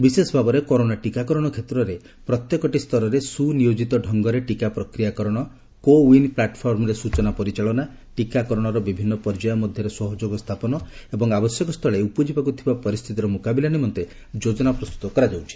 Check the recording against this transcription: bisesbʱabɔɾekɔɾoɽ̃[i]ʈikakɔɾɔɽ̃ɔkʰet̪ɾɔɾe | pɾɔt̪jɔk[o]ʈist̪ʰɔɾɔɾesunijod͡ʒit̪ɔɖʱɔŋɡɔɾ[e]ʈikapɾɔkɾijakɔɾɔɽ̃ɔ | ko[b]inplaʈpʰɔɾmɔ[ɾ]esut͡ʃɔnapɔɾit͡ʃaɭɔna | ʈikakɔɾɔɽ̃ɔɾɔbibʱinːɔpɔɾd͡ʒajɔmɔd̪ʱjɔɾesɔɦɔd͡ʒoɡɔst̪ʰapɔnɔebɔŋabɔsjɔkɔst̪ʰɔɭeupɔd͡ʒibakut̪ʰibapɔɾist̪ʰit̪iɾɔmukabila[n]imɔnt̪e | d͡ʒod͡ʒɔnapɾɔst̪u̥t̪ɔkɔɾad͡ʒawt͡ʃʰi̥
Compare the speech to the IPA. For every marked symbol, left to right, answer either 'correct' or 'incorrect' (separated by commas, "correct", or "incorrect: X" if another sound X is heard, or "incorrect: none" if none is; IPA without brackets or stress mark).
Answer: incorrect: a, incorrect: ɔ, correct, incorrect: w, correct, correct